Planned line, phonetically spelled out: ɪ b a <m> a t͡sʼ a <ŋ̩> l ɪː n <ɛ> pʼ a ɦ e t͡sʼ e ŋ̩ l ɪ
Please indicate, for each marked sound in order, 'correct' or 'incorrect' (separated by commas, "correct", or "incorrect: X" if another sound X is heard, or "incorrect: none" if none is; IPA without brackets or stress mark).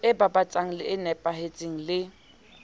incorrect: b, correct, correct